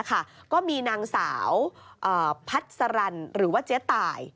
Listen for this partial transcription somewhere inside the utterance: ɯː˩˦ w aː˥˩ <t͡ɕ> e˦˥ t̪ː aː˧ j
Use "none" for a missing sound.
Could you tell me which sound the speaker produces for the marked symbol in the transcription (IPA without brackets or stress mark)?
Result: t͡ɕ